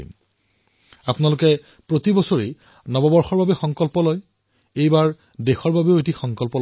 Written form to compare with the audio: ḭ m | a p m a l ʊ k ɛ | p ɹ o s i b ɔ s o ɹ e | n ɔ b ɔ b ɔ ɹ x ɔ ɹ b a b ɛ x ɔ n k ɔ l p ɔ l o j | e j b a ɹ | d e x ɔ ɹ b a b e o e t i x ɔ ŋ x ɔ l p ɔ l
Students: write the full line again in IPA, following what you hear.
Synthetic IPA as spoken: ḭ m | a p n a l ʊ k ɛ | p ɹ o t i b ɔ s o ɹ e | n ɔ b ɔ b ɔ ɹ x ɔ ɹ b a b ɛ x ɔ ŋ k ɔ l p ɔ l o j | e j b a ɹ | d e x ɔ ɹ b a b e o e t i x ɔ ŋ k ɔ l p ɔ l